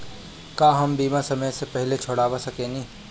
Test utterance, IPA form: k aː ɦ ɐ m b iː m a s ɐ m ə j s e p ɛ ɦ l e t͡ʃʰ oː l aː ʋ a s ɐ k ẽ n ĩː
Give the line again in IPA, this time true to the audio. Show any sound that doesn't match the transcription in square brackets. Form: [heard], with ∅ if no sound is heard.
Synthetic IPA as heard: k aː ɦ ɐ m b iː m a s ɐ m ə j s e p ɛ ɦ l e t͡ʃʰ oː [ɽ] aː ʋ a s ɐ k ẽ n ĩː

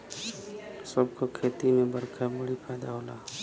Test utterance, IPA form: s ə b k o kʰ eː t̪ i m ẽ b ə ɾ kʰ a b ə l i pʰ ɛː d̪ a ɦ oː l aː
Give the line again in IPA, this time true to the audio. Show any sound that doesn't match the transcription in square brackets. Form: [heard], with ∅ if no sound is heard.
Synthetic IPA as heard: s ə b k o kʰ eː t̪ i m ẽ b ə ɾ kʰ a b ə [ɽ] i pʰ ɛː d̪ a ɦ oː l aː

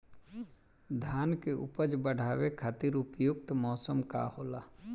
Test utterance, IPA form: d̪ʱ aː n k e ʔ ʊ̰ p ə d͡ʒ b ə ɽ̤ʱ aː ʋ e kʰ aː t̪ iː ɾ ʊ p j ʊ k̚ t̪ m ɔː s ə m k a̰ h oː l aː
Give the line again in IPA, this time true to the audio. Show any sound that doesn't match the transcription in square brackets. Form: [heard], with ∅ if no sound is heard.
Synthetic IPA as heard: d̪ʱ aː n k e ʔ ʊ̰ p ə d͡ʒ b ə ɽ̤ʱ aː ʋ e kʰ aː t̪ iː ɾ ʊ p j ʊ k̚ t̪ m ɔː s ə m k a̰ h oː l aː

